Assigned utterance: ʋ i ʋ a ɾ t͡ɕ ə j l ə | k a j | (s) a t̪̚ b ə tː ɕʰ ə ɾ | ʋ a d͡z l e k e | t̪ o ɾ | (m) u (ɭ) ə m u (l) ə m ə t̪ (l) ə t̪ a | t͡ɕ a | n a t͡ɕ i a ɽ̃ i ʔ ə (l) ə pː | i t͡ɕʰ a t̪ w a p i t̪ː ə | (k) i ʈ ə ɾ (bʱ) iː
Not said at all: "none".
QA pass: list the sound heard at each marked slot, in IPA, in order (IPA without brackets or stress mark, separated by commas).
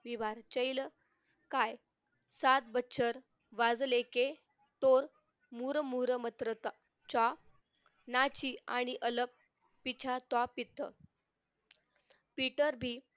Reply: s, m, ɾ, ɾ, ɾ, l, p, bʱ